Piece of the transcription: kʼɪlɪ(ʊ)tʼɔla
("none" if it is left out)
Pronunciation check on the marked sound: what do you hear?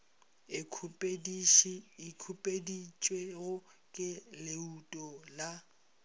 u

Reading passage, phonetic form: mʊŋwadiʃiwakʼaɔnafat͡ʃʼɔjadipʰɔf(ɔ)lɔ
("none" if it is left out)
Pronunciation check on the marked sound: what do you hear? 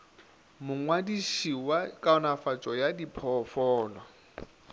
ɔː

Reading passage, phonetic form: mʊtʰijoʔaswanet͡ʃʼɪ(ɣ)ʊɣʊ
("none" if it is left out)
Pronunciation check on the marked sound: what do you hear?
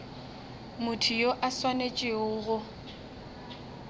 none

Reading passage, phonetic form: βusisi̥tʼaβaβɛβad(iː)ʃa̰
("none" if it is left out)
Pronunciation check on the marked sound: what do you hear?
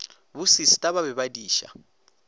iː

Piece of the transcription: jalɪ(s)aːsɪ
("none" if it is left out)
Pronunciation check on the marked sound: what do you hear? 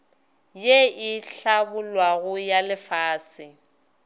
f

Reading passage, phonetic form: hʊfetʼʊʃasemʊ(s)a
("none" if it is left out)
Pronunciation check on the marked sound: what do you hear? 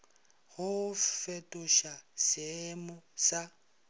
s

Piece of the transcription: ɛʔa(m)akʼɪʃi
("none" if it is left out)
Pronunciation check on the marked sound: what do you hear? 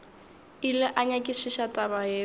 ɲ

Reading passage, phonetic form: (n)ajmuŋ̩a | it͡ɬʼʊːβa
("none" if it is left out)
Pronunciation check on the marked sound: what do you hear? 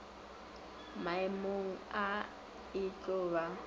m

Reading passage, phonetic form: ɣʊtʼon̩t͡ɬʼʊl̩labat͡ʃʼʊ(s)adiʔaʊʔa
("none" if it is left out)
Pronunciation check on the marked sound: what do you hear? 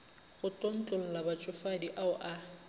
f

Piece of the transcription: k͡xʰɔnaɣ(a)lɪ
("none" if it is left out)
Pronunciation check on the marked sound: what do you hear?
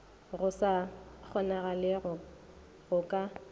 a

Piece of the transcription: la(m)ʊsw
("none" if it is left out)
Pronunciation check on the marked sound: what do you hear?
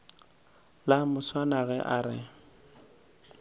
m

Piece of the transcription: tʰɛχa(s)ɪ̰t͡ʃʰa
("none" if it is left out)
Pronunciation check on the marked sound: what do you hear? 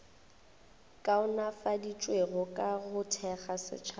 s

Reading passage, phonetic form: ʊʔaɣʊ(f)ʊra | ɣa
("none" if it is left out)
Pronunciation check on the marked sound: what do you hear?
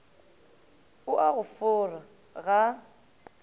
f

